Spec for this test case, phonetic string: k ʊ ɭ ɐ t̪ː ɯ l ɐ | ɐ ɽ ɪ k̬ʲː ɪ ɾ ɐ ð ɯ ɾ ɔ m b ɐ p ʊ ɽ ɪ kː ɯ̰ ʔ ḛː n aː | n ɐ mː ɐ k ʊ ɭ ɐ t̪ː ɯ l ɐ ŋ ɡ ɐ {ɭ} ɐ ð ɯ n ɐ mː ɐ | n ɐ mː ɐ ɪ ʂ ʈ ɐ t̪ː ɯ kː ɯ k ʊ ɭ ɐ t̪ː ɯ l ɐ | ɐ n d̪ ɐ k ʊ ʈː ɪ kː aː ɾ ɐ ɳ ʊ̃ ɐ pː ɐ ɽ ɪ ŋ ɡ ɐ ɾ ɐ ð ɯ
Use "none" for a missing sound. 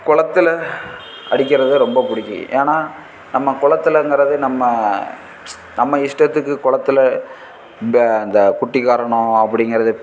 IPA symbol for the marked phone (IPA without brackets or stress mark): ɾ